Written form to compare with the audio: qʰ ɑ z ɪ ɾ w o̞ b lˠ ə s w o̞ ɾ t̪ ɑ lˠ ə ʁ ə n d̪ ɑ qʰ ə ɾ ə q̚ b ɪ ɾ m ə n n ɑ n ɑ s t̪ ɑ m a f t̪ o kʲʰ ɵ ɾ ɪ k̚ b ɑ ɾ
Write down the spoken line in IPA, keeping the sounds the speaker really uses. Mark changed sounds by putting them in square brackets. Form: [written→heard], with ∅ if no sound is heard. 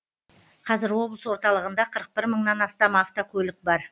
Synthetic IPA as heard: qʰ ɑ z ɪ ɾ w o̞ b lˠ ə s w o̞ ɾ t̪ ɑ lˠ ə ʁ ə n d̪ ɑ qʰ ə ɾ ə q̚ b ɪ ɾ m ə [n→ɴ] n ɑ n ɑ s t̪ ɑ m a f t̪ o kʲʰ ɵ [ɾ→l] ɪ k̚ b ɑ ɾ